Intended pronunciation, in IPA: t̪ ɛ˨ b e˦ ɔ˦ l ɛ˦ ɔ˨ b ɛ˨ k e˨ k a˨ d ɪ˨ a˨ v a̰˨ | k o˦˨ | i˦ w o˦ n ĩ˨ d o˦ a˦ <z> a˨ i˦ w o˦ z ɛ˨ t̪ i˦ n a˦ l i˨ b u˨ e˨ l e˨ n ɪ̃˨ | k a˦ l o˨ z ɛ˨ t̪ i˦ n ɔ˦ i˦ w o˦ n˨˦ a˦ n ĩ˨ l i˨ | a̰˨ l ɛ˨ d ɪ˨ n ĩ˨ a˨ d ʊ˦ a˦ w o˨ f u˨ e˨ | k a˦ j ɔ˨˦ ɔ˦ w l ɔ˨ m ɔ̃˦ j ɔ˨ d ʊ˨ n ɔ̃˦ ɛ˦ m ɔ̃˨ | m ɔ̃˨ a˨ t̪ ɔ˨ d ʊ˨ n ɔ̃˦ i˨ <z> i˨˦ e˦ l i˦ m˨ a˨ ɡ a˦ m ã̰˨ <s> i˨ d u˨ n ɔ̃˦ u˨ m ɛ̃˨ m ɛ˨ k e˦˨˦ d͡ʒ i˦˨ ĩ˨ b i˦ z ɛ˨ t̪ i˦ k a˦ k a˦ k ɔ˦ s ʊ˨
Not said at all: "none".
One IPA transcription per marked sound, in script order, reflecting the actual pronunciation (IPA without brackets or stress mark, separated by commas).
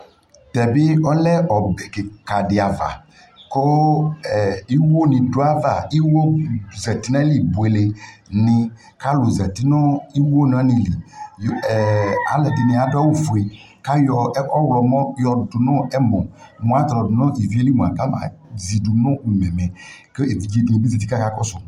v, v, z